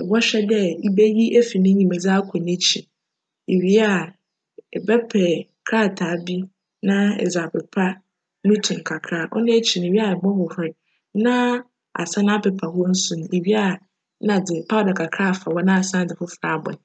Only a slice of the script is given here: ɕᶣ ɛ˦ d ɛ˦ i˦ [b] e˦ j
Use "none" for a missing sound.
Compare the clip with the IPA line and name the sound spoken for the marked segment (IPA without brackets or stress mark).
b